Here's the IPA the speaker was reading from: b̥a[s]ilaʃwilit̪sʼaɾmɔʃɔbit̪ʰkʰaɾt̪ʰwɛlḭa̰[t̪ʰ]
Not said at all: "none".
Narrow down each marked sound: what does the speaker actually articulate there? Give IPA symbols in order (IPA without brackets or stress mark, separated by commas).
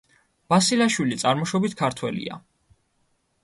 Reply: s, none